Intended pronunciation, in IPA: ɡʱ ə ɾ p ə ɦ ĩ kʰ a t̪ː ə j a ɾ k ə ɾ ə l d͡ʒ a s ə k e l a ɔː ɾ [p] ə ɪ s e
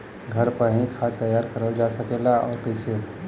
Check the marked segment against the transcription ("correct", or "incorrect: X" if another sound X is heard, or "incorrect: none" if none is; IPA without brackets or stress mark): incorrect: k